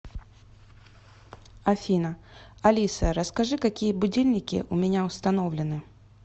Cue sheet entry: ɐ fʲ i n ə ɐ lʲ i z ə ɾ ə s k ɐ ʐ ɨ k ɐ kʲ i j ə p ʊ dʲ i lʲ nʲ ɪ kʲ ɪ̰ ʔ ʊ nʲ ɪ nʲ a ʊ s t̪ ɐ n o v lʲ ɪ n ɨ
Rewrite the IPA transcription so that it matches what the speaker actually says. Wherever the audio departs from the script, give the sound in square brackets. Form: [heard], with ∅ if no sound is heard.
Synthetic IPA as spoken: ɐ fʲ i n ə ɐ lʲ i [s] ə ɾ ə s k ɐ ʐ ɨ k ɐ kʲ i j ə [b] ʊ dʲ i lʲ nʲ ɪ kʲ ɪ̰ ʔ ʊ [mʲ] ɪ nʲ a ʊ s t̪ ɐ n o v lʲ ɪ n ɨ